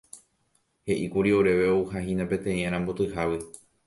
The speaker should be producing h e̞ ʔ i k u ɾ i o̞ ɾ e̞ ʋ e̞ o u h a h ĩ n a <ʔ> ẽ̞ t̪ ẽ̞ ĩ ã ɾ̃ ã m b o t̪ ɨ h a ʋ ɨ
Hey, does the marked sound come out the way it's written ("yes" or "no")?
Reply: no